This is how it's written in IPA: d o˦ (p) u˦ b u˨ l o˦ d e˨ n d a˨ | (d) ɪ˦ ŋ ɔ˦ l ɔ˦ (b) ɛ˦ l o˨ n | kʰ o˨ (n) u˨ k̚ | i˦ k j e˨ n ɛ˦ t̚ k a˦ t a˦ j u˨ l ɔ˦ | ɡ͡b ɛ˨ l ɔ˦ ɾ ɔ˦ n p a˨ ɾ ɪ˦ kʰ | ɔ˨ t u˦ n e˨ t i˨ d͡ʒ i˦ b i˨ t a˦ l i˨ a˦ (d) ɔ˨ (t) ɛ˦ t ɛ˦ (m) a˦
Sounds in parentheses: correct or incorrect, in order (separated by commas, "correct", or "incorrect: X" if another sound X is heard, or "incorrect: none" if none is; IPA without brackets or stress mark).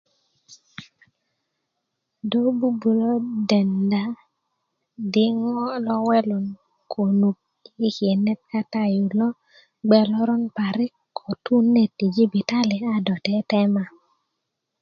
incorrect: b, correct, incorrect: w, correct, correct, correct, correct